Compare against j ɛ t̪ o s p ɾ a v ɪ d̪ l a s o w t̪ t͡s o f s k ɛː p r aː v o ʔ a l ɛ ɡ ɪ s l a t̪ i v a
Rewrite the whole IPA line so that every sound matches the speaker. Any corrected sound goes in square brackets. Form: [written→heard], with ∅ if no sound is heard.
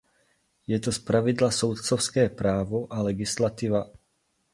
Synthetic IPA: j ɛ t̪ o s p ɾ a v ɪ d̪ l a s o w t̪ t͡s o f s k ɛː p [r→ɾ] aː v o ʔ a l ɛ ɡ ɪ s l a t̪ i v a